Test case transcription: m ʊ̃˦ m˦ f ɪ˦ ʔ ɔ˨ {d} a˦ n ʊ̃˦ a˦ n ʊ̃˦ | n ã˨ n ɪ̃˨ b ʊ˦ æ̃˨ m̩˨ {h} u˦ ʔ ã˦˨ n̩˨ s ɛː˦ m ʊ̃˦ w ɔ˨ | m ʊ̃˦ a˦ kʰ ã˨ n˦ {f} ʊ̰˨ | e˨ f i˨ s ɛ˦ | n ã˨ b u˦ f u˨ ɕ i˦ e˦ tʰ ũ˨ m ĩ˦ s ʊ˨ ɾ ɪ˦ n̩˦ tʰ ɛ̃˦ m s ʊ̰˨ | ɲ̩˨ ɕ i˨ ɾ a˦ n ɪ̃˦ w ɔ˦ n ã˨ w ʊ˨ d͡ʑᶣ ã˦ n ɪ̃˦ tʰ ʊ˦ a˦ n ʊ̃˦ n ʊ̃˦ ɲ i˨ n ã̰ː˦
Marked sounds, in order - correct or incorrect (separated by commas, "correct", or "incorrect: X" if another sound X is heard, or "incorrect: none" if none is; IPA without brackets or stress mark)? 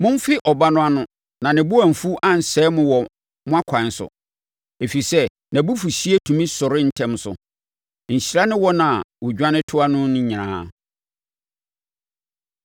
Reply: incorrect: b, incorrect: f, incorrect: s